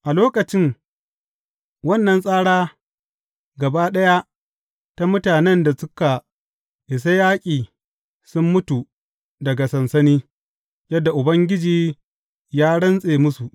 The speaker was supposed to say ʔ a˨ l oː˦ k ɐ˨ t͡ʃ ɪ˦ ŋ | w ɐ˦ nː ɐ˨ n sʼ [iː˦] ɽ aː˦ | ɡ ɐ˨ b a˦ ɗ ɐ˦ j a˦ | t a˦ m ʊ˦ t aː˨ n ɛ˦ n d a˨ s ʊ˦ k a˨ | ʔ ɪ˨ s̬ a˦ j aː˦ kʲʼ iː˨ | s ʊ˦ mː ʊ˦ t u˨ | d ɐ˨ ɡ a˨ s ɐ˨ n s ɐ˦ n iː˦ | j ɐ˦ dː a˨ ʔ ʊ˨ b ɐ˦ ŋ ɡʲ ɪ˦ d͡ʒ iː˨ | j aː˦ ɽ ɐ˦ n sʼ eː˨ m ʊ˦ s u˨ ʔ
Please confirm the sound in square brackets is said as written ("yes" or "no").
no